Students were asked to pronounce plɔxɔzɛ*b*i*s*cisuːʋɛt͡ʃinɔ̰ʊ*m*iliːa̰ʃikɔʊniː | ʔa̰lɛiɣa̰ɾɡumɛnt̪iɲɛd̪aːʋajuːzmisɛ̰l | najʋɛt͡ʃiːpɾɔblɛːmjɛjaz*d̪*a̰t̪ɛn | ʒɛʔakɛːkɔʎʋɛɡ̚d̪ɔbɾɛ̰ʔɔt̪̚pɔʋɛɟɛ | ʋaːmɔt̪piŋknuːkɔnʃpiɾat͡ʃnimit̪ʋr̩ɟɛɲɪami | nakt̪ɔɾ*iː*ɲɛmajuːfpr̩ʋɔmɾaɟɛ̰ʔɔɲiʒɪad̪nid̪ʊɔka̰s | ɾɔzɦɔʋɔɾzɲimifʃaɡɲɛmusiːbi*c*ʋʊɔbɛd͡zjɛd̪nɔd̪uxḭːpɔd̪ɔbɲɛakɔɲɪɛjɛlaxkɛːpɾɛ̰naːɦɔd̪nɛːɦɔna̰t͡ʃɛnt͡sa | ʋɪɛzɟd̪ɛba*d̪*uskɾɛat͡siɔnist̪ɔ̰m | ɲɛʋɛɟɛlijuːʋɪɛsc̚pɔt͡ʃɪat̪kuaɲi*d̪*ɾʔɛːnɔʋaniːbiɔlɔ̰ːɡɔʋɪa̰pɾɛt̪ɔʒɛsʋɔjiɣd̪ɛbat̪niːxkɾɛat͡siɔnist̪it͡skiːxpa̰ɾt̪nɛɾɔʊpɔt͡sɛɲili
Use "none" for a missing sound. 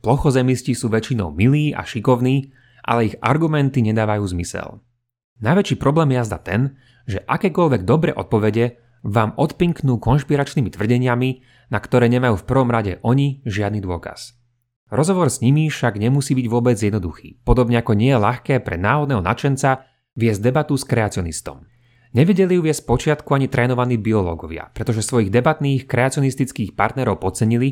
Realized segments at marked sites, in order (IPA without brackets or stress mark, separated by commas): m, s, m, d̪, ɛː, ɟ, t̪, t̪